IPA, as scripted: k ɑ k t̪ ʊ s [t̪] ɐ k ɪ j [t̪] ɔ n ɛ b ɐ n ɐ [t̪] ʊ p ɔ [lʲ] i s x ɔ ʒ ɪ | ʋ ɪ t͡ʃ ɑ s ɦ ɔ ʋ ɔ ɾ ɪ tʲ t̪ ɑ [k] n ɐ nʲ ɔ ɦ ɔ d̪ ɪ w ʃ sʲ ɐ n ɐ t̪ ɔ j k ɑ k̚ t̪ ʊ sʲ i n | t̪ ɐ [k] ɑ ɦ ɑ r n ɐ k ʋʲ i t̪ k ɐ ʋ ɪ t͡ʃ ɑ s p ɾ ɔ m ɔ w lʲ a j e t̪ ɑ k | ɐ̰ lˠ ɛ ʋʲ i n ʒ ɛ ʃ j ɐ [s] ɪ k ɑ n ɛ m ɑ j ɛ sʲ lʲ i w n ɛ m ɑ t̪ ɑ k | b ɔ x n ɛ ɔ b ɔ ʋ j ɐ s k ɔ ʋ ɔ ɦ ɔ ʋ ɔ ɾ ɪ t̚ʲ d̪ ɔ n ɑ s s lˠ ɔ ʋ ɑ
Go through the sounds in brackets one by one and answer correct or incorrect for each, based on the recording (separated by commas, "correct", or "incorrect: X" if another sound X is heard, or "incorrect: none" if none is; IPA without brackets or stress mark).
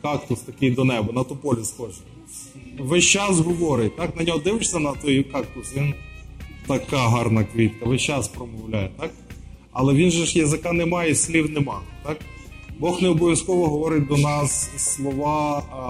correct, incorrect: d̪, correct, correct, correct, correct, incorrect: z